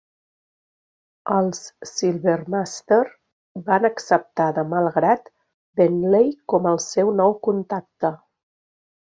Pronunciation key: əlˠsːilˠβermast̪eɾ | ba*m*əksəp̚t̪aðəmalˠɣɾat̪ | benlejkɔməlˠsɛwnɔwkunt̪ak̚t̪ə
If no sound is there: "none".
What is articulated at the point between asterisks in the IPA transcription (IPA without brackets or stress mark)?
n